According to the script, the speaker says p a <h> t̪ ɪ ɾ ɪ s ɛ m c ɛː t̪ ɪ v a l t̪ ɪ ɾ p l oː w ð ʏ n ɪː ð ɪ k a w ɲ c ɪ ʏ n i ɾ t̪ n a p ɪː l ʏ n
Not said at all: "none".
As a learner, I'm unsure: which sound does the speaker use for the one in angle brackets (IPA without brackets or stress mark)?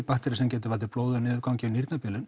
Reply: h